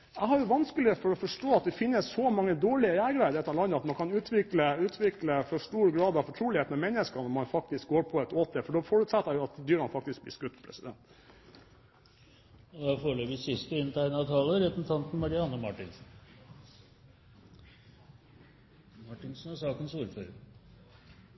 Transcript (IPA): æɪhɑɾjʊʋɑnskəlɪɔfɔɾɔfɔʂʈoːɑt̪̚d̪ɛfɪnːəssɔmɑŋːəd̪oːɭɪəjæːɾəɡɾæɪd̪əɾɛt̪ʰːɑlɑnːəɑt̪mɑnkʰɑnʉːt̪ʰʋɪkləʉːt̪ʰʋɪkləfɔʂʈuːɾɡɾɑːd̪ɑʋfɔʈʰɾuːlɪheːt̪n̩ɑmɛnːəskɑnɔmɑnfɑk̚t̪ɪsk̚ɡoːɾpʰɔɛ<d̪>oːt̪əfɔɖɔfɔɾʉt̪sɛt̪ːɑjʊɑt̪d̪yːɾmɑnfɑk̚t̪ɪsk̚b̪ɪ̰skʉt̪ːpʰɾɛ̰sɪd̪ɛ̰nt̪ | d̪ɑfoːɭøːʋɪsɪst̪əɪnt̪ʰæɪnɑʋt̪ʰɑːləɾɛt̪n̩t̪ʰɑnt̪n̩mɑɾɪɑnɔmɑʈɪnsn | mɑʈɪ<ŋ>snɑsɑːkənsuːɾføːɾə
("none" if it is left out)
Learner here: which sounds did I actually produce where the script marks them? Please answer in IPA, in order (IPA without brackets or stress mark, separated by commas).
t̪, n